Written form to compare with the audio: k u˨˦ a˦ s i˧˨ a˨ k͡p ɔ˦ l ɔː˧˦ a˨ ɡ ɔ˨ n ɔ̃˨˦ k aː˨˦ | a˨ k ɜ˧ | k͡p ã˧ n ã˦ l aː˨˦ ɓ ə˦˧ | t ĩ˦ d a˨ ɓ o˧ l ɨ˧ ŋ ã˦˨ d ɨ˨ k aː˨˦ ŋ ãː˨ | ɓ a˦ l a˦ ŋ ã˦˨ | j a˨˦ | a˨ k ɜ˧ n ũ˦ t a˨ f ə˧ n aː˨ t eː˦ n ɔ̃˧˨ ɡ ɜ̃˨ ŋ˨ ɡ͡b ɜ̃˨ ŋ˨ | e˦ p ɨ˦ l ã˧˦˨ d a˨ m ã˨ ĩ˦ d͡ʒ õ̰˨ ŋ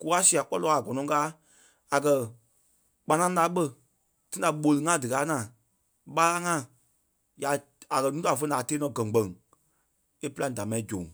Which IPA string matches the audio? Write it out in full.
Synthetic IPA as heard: k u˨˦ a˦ s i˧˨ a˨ k͡p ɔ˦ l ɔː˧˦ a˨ ɡ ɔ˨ n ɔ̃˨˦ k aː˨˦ | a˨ k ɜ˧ | k͡p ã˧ n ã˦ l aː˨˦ ɓ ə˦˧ | t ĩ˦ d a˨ ɓ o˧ l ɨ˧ ŋ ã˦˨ d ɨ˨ k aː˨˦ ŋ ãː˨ | ɓ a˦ l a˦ ŋ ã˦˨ | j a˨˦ | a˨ k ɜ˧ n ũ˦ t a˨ f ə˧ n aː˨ t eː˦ n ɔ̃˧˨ ɡ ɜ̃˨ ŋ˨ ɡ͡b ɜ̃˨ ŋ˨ | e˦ p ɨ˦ l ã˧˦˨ d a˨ m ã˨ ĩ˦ d͡ʒ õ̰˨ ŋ